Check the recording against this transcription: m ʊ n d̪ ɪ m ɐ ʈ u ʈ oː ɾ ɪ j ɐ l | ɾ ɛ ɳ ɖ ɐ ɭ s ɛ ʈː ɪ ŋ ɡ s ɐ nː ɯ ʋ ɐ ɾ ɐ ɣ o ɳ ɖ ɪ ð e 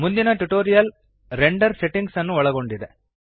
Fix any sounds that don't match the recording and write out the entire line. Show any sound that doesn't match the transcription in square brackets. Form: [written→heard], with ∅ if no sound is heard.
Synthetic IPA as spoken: m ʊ n d̪ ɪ [m→n] ɐ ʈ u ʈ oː ɾ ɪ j ɐ l | ɾ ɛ ɳ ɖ ɐ [ɭ→ɾ] s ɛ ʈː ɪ ŋ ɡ s ɐ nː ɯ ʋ ɐ [ɾ→ɭ] ɐ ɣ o ɳ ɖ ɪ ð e